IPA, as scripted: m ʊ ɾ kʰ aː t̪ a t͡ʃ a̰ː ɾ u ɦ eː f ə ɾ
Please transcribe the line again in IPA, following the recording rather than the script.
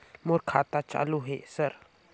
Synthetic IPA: m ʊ ɾ kʰ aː t̪ a t͡ʃ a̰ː l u ɦ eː s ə ɾ

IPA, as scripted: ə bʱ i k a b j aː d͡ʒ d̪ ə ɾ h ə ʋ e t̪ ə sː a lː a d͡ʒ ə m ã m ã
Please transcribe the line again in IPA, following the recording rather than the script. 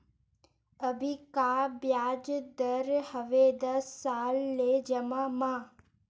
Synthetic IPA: ə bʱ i k a b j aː d͡ʒ d̪ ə ɾ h ə ʋ e d̪ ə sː a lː e d͡ʒ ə m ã m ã

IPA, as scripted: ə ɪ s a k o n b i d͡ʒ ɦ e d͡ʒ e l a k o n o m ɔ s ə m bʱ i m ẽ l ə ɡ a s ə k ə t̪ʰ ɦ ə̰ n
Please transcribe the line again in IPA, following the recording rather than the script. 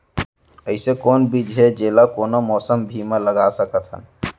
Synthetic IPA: ə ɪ s e k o n b i d͡ʒ ɦ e d͡ʒ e l a k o n o m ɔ s ə m bʱ i m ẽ l ə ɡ a s ə k ə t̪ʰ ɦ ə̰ n

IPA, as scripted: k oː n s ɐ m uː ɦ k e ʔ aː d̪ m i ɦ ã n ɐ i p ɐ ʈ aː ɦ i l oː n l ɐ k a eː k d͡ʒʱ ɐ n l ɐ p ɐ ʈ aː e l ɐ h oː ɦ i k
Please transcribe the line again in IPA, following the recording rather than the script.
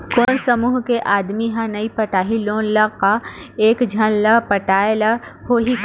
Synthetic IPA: k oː n s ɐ m uː ɦ k e ʔ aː d̪ m i ɦ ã n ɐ i p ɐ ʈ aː ɦ i l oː n l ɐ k a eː k d͡ʒʱ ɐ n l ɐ p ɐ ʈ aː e l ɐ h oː ɦ i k

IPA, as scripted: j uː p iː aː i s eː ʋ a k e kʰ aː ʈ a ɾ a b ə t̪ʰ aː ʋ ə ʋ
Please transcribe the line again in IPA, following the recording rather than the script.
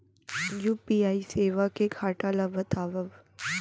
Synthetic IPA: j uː p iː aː i s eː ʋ a k e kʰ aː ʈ a l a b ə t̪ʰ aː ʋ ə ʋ

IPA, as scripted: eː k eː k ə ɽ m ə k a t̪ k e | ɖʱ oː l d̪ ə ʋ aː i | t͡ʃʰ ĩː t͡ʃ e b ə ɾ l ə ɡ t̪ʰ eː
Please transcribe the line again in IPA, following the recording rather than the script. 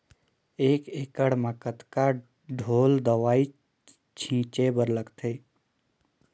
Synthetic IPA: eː k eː k ə ɽ m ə k ə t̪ k a | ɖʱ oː l d̪ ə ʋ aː i | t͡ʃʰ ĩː t͡ʃ e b ə ɾ l ə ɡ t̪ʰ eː

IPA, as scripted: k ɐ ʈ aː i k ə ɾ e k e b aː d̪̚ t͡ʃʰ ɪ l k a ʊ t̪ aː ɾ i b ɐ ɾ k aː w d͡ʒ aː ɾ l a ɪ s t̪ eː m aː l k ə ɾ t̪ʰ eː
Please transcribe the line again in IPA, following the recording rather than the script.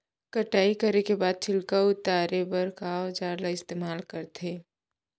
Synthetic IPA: k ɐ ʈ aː i k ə ɾ e k e b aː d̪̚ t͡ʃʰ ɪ l k a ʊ t̪ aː ɾ e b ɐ ɾ k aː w d͡ʒ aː ɾ l a ɪ s t̪ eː m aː l k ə ɾ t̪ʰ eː

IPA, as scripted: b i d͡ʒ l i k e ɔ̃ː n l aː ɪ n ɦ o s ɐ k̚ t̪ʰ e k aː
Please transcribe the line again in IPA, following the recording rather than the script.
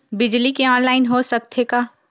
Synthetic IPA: b ɪ d͡ʒ l i k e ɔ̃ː n l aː ɪ n ɦ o s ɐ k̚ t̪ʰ e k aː

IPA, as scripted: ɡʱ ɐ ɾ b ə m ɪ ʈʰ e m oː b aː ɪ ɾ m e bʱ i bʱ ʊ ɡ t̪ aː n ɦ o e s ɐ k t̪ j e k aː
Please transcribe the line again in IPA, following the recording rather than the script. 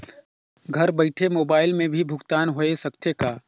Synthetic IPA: ɡʱ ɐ ɾ b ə ɪ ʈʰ e m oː b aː ɪ l m ẽ bʱ i bʱ ʊ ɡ t̪ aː n ɦ o e s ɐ k t̪ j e k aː

